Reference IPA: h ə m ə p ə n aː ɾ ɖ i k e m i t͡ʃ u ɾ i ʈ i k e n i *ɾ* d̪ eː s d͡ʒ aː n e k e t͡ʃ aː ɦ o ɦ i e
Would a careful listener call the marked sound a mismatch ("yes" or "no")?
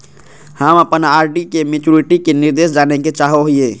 no